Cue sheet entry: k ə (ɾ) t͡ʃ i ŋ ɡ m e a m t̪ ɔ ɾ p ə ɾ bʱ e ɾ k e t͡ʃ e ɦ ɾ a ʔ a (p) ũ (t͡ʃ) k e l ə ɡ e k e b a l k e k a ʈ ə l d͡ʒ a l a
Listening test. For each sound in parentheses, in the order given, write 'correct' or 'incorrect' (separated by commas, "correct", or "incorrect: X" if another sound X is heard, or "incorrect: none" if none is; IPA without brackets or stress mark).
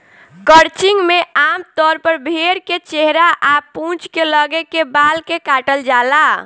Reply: correct, correct, correct